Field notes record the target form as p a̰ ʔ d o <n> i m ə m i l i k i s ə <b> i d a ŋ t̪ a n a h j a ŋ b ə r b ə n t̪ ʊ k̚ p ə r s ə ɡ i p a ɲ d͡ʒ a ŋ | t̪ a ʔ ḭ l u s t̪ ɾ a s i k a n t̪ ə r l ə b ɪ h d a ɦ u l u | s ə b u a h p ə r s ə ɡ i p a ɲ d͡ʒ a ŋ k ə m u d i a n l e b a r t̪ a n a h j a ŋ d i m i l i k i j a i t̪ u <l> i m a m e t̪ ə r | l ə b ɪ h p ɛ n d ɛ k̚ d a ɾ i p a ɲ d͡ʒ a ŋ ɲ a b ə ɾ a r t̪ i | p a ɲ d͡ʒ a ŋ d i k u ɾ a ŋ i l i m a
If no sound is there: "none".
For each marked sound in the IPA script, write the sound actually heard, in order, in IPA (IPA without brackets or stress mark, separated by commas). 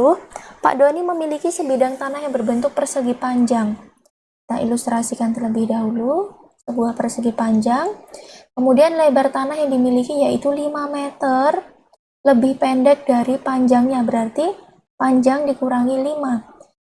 n, b, l